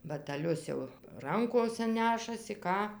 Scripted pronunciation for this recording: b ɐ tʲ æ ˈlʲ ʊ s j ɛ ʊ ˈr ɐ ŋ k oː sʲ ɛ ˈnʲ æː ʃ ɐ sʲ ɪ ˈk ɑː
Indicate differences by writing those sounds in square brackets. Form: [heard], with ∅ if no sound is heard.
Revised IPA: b ɐ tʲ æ ˈlʲ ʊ s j ɛ ʊ ˈr ɐ ŋ k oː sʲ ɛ ˈnʲ æː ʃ ɐ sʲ ɪ ˈk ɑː